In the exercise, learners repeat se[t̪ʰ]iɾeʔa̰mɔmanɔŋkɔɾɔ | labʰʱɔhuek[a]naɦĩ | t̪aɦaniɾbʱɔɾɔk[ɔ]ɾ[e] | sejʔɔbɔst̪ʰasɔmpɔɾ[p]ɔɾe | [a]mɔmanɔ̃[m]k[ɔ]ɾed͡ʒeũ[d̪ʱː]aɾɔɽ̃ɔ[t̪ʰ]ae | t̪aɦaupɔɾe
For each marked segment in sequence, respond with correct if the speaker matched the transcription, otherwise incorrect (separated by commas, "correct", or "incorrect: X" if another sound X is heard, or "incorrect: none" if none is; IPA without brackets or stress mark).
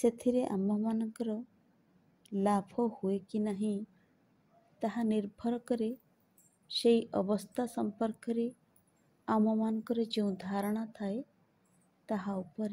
correct, incorrect: i, correct, correct, incorrect: k, correct, incorrect: ŋ, correct, incorrect: d̪ʱ, correct